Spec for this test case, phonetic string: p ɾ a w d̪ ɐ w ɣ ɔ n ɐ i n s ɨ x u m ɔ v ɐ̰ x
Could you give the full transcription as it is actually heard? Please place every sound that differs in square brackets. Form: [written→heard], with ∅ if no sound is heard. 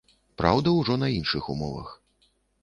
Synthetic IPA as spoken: p ɾ a w d̪ ɐ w [ɣ→ʐ] ɔ n ɐ i n [s→ʂ] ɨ x u m ɔ v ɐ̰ x